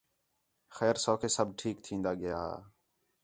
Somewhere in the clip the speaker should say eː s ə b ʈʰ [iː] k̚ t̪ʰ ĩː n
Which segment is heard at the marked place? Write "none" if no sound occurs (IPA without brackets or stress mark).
iː